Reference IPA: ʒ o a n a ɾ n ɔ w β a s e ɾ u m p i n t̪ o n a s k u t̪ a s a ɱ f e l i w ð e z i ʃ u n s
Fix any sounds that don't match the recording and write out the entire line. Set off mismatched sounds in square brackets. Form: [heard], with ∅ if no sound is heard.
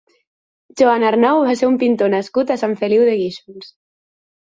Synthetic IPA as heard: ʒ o a n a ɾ n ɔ w β a s e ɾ u m p i n t̪ o n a s k u t̪ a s a ɱ f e l i w ð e [ɣ] i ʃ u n s

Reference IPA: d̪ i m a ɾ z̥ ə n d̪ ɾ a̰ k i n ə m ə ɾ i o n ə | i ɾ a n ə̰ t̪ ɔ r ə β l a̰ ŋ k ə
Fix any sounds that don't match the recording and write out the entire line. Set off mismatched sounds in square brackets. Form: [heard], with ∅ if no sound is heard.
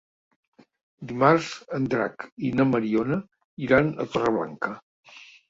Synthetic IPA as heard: d̪ i m a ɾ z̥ ə n d̪ ɾ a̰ k i n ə m ə ɾ i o n ə | i ɾ a n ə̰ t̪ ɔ r ə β l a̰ ŋ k ə

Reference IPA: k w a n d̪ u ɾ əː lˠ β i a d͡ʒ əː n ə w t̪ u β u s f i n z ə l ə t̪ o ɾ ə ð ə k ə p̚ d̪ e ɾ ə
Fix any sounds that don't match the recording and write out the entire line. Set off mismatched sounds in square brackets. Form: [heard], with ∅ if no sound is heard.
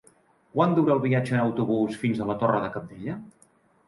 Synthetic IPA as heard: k w a n d̪ u ɾ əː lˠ β i a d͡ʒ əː n ə w t̪ u β u s f i n z ə l ə t̪ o [r] ə ð ə k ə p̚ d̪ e [ʎ] ə

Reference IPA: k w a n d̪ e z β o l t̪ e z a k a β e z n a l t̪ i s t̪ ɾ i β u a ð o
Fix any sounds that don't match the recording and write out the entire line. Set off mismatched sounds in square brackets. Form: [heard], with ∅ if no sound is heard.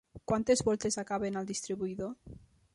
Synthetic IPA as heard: k w a n [t̪] e z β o l t̪ e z a k a β e [∅] n a l [d̪] i s t̪ ɾ i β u [i] ð o

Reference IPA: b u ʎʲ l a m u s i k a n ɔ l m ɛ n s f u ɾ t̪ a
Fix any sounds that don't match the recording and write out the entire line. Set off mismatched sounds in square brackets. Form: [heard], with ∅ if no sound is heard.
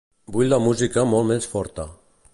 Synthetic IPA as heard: b u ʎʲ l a m u [z] i k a [m] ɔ l m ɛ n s f [ɔ] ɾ t̪ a

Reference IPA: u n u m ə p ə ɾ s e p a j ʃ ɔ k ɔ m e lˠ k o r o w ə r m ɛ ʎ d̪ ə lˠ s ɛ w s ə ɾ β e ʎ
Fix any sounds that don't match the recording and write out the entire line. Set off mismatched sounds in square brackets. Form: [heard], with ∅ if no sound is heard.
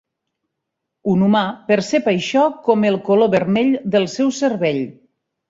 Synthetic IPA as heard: u n u m [a] p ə ɾ s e p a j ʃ ɔ k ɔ m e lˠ k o [l] o [β] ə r m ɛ ʎ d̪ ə lˠ s ɛ w s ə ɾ β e ʎ

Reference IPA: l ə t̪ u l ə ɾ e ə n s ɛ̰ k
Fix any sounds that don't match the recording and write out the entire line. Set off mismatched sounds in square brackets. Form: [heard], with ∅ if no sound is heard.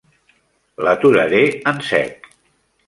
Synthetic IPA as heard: l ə t̪ u [ɾ] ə ɾ e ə n s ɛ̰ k

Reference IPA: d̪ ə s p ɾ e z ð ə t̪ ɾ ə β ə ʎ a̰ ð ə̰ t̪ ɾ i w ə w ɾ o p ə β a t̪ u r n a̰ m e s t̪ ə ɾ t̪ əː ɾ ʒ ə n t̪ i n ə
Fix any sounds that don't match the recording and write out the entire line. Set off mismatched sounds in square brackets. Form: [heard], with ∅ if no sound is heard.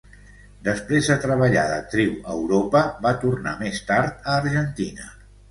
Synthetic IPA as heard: d̪ ə s p ɾ e z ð ə t̪ ɾ ə β ə ʎ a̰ ð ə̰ t̪ ɾ i w ə w ɾ o p ə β a t̪ u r n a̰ m e s t̪ [a] ɾ t̪ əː ɾ ʒ ə n t̪ i n ə

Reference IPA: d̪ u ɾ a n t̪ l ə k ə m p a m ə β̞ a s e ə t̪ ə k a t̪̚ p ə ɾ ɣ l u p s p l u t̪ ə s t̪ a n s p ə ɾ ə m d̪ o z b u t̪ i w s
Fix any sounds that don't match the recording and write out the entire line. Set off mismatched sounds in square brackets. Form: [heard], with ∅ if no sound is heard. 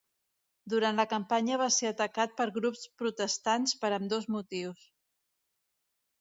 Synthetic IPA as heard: d̪ u ɾ a n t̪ l ə k ə m p a [ɲ] ə β̞ a s e ə t̪ ə k a t̪̚ p ə ɾ ɣ [ɾ] u p s p [ɾ] u t̪ ə s t̪ a n s p ə ɾ ə m d̪ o z [m] u t̪ i w s

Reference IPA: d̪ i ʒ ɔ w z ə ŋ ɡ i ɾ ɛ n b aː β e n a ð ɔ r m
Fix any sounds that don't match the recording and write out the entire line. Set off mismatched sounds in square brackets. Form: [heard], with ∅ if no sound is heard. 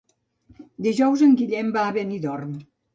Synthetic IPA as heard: d̪ i ʒ ɔ w z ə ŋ ɡ i [ʎ] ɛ [m] b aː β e n [i] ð ɔ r m

